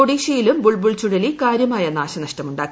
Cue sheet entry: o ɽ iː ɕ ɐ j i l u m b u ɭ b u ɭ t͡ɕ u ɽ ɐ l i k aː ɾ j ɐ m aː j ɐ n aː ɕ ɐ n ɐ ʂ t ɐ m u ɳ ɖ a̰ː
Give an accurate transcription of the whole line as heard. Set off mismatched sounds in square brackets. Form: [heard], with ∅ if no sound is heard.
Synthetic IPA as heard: o ɽ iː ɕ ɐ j i l u m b u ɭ b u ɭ t͡ɕ u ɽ ɐ l i k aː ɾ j ɐ m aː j ɐ n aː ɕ ɐ n ɐ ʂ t ɐ m u ɳ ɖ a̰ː